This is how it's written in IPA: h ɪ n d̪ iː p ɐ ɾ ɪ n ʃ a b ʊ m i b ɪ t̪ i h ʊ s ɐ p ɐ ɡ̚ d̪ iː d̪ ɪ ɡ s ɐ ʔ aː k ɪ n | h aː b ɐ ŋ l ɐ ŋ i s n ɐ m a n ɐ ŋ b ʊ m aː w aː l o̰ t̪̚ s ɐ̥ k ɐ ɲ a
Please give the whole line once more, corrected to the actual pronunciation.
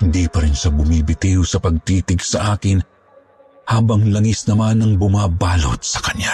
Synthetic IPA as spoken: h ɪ n d̪ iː p ɐ ɾ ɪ n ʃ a b ʊ m i b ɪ t̪ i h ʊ s ɐ p ɐ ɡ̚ t̪ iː t̪ ɪ ɡ s ɐ ʔ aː k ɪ n | h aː b ɐ ŋ l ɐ ŋ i s n ɐ m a n ɐ ŋ b ʊ m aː b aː l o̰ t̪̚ s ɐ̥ k ɐ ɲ a